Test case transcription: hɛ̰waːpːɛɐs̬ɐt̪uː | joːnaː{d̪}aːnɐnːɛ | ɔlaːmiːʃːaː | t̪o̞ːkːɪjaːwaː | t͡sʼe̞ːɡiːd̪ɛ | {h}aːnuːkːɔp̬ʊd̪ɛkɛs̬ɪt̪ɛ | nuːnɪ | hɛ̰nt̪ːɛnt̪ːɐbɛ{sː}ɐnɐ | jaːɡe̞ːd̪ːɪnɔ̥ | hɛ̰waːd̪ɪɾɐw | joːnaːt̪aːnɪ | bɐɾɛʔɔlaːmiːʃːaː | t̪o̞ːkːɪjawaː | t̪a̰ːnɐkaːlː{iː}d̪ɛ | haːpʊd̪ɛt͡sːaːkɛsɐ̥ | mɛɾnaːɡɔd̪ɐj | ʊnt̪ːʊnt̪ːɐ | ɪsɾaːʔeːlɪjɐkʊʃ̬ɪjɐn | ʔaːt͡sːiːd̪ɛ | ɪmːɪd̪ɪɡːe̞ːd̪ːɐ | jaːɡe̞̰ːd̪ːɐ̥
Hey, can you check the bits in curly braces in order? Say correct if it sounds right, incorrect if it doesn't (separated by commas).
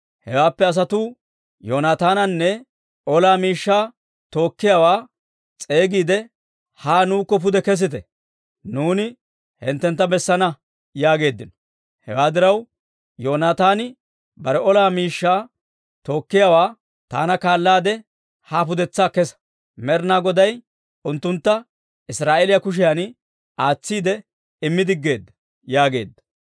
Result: incorrect, correct, correct, incorrect